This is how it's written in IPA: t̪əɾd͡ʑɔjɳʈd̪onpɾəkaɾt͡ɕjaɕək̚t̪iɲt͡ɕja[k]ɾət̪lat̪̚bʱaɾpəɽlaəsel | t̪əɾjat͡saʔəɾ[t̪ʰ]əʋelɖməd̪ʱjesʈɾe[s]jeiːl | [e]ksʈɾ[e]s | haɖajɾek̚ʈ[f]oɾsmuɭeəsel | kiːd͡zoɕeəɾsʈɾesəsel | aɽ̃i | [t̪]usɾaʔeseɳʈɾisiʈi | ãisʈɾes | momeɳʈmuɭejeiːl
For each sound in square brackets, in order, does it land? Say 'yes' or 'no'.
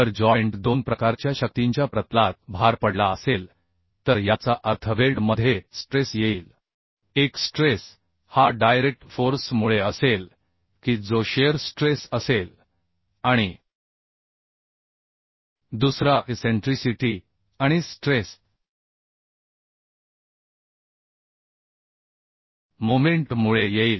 no, yes, yes, yes, yes, yes, no

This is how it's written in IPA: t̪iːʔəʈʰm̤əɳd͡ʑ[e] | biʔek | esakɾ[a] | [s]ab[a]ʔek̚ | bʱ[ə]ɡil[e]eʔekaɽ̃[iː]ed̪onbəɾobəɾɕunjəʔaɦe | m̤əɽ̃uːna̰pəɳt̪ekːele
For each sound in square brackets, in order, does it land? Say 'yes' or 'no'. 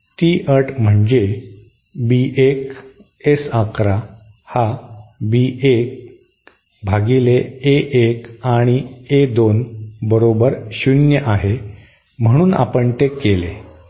yes, yes, no, no, no, yes, no

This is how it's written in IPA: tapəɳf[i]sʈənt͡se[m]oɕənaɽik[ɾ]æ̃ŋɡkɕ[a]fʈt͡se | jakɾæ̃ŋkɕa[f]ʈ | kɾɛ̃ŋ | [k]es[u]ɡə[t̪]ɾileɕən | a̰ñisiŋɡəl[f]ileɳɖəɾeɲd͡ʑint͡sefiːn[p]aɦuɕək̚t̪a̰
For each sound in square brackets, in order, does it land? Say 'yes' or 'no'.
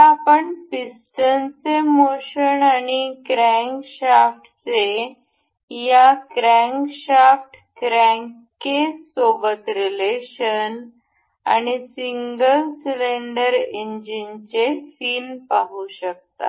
yes, yes, yes, yes, yes, yes, no, yes, no, yes

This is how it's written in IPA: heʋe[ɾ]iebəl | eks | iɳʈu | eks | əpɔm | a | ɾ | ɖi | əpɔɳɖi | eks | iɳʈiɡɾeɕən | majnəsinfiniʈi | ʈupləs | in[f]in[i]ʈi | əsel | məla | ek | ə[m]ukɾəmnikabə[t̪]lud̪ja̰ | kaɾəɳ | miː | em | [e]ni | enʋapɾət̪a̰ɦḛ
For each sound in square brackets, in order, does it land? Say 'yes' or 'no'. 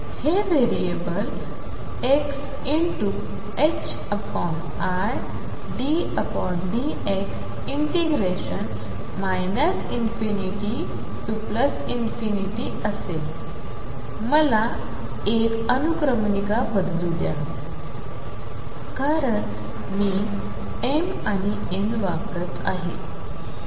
yes, yes, yes, no, no, no

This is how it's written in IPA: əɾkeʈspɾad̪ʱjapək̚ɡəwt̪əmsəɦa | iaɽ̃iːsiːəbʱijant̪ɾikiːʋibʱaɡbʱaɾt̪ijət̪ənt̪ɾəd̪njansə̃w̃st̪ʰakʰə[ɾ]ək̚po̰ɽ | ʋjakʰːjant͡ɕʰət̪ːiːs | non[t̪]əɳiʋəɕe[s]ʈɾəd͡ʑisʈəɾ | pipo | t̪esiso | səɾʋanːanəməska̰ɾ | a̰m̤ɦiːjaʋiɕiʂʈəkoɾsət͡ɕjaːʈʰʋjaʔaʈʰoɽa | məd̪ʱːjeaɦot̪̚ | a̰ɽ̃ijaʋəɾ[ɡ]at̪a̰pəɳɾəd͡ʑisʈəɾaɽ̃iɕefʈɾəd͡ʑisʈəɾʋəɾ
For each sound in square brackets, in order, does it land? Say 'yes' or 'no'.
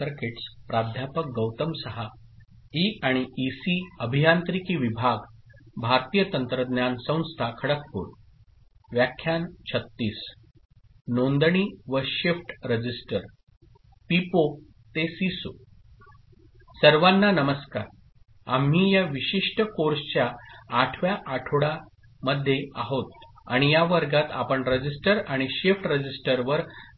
no, no, no, yes

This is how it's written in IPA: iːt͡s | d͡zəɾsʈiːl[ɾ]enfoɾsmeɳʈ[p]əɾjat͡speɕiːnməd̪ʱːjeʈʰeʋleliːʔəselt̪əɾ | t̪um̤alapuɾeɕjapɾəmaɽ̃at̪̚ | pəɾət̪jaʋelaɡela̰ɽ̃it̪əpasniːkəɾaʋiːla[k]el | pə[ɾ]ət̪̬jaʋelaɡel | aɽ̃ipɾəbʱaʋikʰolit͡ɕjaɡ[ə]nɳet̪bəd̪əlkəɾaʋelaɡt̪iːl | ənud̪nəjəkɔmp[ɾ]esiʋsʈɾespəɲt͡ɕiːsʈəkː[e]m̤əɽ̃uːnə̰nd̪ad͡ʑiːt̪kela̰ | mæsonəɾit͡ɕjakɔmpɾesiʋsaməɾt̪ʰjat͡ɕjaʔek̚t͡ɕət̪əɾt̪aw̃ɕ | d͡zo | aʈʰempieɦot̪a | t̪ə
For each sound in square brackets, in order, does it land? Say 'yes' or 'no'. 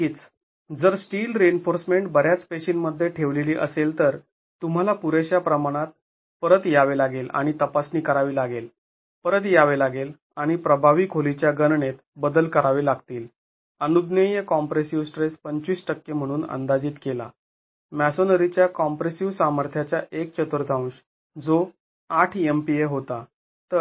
yes, no, no, yes, yes, yes, yes

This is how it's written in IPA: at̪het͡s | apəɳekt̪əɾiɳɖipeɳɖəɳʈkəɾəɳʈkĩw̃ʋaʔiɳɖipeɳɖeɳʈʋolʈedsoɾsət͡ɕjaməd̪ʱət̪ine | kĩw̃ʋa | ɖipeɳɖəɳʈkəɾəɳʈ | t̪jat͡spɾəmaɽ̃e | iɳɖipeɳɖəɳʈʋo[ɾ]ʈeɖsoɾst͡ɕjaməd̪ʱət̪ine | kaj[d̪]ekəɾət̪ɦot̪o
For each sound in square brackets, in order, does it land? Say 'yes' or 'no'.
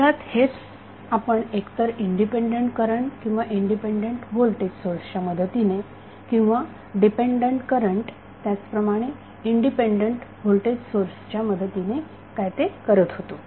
no, no

